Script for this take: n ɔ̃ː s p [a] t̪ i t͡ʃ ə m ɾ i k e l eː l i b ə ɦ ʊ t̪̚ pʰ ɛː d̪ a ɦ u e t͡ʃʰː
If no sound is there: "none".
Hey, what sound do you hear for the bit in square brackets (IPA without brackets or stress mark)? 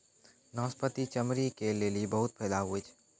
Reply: ə